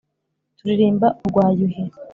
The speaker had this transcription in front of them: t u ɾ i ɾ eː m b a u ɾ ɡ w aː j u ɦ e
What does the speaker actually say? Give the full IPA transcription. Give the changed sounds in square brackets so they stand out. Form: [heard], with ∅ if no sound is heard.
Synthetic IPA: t u ɾ i ɾ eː m b a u ɾ ɡ w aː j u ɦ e